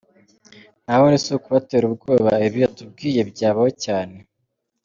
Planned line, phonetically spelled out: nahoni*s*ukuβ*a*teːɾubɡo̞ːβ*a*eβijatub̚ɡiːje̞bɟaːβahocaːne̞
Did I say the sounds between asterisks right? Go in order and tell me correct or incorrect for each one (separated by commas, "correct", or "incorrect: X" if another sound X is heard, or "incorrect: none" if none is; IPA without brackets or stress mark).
correct, correct, correct